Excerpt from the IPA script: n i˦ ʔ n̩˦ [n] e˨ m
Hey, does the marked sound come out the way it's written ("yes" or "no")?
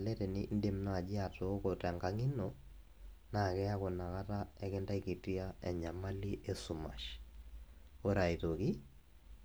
no